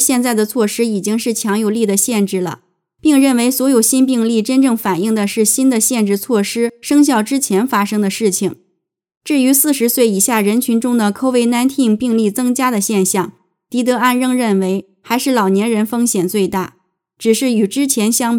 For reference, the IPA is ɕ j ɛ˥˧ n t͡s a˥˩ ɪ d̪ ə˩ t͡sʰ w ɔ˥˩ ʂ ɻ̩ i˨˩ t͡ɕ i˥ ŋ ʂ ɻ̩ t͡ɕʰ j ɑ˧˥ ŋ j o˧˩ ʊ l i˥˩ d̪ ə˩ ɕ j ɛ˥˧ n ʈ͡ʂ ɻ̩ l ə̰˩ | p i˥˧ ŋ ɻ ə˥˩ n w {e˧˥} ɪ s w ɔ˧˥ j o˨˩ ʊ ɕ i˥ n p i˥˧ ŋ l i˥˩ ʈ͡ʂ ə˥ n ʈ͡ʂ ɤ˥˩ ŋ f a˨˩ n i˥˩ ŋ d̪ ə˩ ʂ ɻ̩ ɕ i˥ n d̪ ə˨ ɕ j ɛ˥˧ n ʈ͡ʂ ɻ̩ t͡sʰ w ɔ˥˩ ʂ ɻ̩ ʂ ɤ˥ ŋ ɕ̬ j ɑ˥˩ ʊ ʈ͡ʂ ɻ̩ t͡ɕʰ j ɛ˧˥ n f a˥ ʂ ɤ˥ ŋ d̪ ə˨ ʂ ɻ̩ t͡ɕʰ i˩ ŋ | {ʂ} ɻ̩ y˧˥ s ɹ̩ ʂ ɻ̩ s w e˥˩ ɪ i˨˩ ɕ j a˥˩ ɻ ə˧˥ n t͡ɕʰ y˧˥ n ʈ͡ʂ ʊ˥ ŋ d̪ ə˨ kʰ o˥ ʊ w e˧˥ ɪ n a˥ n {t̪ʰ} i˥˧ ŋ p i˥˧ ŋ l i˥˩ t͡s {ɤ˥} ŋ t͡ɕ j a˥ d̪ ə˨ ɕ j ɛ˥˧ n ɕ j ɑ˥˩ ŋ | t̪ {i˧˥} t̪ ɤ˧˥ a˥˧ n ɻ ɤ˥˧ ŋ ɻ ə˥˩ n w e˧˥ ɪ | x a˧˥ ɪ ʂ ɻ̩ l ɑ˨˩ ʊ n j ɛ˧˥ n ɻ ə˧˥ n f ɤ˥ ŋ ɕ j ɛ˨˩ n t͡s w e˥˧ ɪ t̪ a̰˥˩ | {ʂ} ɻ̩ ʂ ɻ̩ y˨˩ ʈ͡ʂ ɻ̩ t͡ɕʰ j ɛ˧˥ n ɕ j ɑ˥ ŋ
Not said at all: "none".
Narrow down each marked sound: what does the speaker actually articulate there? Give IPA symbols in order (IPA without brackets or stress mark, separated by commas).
e˧˥, ʈ͡ʂ, t̪ʰ, ɤ˥, i˧˥, ʈ͡ʂ